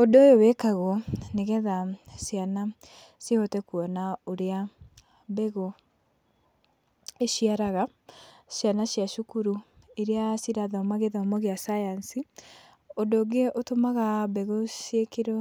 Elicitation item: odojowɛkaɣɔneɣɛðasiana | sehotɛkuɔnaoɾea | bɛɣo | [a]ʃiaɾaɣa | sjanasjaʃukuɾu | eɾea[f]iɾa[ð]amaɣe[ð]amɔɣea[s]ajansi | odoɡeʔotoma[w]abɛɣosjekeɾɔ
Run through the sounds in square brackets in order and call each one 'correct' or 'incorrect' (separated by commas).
incorrect, incorrect, correct, correct, correct, incorrect